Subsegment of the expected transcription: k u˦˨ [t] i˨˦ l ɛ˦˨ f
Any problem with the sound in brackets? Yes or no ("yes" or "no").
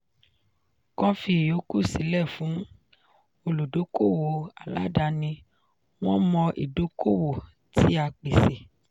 yes